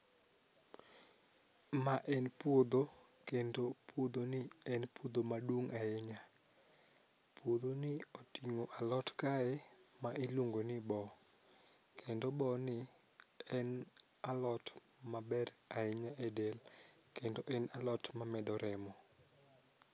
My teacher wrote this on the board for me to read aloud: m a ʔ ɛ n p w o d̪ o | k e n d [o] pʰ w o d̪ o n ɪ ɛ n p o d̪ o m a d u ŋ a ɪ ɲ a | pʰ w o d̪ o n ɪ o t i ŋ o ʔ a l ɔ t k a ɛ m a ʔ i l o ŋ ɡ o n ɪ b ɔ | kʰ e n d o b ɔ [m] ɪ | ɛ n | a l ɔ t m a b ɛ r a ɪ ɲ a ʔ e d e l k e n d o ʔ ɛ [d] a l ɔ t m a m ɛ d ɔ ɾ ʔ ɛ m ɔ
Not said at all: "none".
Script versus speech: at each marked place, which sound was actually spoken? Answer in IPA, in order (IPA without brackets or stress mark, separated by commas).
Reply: o, n, n